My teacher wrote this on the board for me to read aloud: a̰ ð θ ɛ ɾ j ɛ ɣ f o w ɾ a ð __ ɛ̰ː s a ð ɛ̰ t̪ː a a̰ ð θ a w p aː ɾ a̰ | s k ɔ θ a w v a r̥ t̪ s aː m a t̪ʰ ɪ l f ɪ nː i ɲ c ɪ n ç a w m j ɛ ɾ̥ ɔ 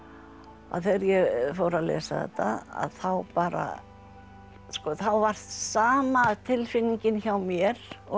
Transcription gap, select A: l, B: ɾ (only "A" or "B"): A